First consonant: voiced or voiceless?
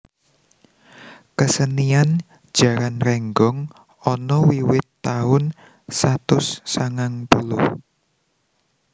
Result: voiceless